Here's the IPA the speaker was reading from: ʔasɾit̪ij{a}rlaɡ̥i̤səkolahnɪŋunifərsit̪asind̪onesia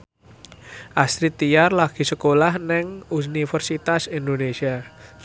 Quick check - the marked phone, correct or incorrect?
correct